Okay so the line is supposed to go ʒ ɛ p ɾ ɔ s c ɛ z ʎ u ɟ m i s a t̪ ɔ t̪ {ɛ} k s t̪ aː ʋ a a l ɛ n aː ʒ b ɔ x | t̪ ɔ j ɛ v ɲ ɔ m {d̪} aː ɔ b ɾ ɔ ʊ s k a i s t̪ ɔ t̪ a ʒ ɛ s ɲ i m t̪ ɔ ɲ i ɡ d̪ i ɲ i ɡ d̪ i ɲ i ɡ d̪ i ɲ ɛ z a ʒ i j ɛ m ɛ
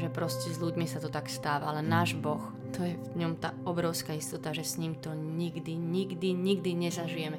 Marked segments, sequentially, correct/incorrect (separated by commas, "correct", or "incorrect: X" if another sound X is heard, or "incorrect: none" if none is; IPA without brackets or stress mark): incorrect: a, incorrect: t̪